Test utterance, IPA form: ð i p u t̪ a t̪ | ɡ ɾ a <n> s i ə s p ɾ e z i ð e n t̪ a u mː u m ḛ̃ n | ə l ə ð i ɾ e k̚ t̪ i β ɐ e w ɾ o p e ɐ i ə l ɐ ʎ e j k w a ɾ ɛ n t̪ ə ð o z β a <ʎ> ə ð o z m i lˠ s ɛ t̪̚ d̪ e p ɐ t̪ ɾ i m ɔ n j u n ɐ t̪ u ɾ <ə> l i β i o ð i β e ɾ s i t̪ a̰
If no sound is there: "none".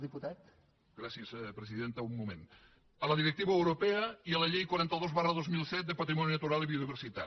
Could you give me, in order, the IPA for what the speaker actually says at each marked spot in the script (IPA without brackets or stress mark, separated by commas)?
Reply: none, r, a